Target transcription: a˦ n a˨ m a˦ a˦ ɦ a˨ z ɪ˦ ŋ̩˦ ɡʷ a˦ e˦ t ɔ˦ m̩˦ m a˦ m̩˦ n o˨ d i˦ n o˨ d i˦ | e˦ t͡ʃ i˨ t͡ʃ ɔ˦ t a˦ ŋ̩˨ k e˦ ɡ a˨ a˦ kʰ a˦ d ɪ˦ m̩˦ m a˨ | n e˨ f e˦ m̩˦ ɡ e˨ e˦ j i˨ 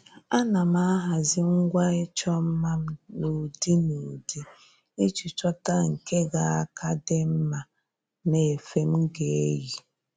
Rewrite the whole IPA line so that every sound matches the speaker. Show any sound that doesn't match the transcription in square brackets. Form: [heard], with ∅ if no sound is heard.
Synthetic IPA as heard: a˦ n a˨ m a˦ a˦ ɦ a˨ z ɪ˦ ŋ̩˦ ɡʷ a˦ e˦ [t͡ʃ] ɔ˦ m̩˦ m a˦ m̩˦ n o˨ d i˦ n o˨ d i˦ | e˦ t͡ʃ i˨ t͡ʃ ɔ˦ t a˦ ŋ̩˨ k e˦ ɡ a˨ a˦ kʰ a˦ d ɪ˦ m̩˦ m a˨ | n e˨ f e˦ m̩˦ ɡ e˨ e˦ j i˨